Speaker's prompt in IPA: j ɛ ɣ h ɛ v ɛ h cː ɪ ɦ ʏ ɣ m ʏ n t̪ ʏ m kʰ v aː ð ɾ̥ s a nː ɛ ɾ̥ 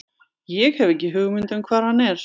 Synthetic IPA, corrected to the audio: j ɛ ɣ h ɛ v ɛ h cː ɪ ɦ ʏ ɣ m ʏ n t̪ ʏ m kʰ v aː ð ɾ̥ h a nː ɛ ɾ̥